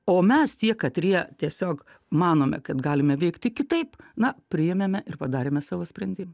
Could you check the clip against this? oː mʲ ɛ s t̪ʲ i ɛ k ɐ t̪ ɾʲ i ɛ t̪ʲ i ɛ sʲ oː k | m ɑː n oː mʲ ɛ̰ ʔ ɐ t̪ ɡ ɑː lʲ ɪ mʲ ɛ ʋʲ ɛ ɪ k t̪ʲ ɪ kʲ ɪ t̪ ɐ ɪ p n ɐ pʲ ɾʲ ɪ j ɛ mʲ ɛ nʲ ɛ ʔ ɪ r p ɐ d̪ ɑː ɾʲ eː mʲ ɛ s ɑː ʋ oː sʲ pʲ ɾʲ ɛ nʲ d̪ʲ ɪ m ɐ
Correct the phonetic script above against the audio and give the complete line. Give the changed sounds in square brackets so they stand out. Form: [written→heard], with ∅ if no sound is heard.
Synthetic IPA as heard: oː mʲ ɛ s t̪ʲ i ɛ k ɐ t̪ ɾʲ i ɛ t̪ʲ i ɛ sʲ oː k | m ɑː n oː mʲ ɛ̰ [ʔ→k] ɐ t̪ ɡ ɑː lʲ ɪ mʲ ɛ ʋʲ ɛ ɪ k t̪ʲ ɪ kʲ ɪ t̪ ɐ ɪ p n ɐ pʲ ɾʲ ɪ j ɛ mʲ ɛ [nʲ→mʲ] ɛ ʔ ɪ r p ɐ d̪ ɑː ɾʲ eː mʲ ɛ s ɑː ʋ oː sʲ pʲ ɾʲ ɛ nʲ d̪ʲ ɪ m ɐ